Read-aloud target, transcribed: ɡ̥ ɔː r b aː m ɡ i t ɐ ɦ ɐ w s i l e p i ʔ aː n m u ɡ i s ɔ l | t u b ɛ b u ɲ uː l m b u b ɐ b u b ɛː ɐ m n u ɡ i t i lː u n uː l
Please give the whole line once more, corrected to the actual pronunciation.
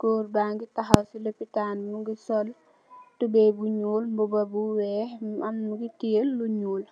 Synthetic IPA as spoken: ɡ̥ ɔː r b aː ŋ ɡ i t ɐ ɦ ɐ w s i l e p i t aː n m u ɡ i s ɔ l | t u b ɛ b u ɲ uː l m b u b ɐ b u w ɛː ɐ m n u ɡ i t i lː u ɲ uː l

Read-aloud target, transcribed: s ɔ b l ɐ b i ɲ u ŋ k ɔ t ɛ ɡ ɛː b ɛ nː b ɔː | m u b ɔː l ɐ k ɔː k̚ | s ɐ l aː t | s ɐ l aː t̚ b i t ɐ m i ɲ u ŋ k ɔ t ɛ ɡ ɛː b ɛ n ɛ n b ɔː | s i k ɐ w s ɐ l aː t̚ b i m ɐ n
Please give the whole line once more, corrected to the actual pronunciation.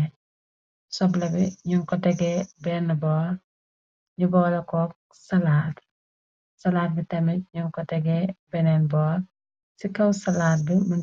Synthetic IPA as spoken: s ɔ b l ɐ b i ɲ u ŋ k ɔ t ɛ ɡ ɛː b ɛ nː b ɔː | ɲ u b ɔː l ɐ k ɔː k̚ | s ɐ l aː t | s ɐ l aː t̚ b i t ɐ m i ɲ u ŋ k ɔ t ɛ ɡ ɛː b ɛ n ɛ n b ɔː | s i k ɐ w s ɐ l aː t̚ b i m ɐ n

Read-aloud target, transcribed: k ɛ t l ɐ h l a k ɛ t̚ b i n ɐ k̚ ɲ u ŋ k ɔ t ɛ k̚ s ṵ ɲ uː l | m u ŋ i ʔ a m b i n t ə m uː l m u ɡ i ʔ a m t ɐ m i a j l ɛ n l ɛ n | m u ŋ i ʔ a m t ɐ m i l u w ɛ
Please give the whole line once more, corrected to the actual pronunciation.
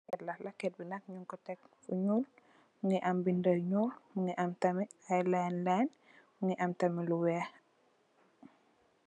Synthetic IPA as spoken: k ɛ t l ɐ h l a k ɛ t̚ b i n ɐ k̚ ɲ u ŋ k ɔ t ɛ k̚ f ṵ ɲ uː l | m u ŋ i ʔ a m b i n d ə ɲ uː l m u ŋ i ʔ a m t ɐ m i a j l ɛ n l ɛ n | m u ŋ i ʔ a m t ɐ m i l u w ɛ

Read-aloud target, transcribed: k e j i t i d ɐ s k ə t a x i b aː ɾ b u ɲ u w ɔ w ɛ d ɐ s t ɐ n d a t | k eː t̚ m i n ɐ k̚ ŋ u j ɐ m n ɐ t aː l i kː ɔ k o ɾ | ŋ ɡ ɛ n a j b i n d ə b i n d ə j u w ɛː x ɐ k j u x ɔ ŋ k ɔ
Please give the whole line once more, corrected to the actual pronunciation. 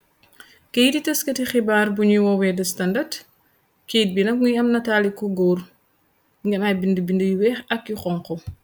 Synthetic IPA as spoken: k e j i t i t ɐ s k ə t i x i b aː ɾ b u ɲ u w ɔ w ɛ d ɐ s t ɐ n d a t | k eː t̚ b i n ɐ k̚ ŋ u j ɐ m n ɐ t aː l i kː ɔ ɡ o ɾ | ŋ ɡ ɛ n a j b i n d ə b i n d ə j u w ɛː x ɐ k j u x ɔ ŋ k ɔ

